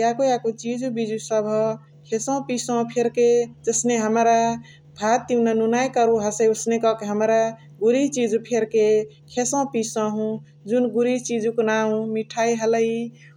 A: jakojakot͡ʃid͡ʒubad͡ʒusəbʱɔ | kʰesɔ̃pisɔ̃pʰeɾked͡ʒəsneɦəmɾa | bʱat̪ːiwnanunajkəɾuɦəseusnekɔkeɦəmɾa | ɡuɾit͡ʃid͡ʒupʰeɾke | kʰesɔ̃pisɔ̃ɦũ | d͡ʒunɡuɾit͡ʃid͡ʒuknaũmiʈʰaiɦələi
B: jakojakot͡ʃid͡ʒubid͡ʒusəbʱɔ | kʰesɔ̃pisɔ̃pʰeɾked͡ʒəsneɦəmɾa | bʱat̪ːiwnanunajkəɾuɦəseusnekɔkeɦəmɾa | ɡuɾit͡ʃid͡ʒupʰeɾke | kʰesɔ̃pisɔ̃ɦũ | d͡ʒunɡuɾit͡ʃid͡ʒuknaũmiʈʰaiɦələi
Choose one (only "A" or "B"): B